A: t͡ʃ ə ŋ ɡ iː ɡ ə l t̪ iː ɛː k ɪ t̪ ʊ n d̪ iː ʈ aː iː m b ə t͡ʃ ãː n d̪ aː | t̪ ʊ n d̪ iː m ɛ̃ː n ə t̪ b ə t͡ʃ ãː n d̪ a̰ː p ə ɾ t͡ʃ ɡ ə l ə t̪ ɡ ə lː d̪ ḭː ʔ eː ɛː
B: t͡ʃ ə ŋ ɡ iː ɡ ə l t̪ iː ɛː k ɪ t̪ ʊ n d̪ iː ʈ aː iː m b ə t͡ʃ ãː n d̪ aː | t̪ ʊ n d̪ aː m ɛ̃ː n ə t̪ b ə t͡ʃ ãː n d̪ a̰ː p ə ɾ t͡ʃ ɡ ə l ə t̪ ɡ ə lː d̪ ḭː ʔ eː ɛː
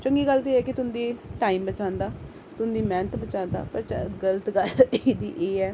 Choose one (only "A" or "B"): A